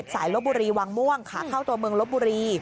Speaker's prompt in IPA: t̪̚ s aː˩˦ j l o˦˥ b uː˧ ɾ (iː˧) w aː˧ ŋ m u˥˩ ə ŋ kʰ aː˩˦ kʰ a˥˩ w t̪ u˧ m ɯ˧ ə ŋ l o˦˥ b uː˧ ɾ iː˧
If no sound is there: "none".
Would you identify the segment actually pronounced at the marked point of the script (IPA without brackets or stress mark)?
iː˧